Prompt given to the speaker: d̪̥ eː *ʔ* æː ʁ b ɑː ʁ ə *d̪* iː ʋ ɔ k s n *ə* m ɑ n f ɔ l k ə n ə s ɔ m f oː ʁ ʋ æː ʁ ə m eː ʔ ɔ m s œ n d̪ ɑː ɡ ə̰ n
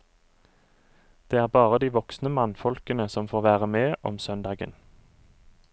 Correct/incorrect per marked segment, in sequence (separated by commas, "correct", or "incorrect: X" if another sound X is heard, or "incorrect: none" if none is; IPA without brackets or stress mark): incorrect: none, correct, correct